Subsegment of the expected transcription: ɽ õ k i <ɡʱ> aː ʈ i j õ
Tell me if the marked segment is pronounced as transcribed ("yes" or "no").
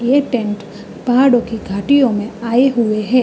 yes